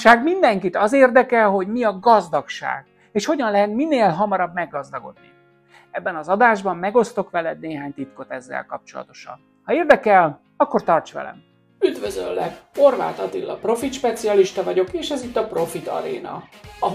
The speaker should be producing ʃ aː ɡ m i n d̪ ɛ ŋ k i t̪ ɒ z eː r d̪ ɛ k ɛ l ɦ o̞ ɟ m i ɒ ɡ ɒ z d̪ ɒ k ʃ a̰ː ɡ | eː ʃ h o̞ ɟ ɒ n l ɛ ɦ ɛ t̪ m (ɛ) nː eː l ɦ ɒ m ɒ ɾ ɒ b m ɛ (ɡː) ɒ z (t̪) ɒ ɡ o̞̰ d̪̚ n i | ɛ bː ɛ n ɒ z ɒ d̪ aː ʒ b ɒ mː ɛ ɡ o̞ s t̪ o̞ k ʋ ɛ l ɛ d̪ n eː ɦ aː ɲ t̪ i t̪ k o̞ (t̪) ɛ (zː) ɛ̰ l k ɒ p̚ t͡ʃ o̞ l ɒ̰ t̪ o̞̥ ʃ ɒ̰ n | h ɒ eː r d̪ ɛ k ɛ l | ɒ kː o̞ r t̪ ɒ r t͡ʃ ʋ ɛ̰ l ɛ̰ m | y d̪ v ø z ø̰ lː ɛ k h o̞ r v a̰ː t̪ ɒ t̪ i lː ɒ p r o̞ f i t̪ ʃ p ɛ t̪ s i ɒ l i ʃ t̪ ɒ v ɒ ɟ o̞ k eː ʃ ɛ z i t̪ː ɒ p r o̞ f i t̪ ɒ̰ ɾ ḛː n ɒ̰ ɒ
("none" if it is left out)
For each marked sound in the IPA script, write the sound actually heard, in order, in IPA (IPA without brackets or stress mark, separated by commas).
i, ɡː, d̪, t̪, zː